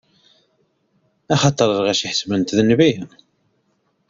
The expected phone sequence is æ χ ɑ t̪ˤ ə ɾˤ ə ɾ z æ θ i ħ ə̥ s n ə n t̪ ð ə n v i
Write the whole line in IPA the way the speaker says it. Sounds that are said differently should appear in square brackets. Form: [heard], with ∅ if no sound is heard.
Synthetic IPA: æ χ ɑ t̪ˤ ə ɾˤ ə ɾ [ʁ] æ [ʃ] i ħ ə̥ s [m] ə n t̪ ð ə n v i